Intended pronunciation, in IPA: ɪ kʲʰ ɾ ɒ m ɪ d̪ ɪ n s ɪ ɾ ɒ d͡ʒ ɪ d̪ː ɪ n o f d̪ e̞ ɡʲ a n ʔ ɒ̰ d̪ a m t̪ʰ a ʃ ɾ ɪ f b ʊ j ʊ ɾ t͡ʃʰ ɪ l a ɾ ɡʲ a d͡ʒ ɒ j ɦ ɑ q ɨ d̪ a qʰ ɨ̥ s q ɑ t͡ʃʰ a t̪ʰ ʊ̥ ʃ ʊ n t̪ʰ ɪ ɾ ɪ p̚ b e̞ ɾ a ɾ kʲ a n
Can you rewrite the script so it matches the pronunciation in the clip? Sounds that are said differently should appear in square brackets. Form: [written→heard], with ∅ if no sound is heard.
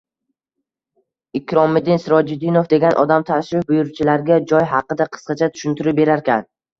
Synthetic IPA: ɪ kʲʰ ɾ ɒ m ɪ d̪ ɪ n s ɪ ɾ ɒ d͡ʒ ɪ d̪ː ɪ n o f d̪ e̞ ɡʲ a n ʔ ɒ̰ d̪ a m t̪ʰ a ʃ ɾ ɪ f b ʊ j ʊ ɾ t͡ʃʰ ɪ l a ɾ ɡʲ a d͡ʒ ɒ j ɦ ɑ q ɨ d̪ a qʰ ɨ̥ s q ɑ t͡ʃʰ a t̪ʰ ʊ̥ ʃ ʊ n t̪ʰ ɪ ɾ ɪ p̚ b e̞ ɾ a ɾ kʲ a n